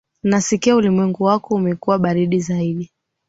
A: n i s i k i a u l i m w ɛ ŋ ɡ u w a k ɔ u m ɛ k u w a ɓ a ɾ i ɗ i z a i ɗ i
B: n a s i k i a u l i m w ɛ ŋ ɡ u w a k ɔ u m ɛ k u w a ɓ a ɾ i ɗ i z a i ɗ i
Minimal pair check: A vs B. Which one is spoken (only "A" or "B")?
B